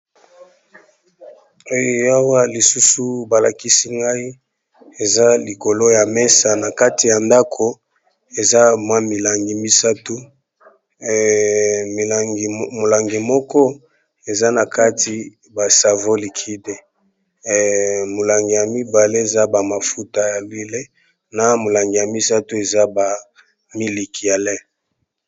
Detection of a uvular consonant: absent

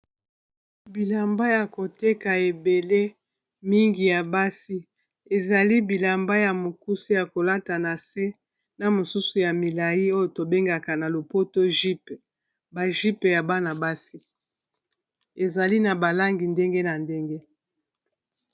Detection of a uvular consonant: absent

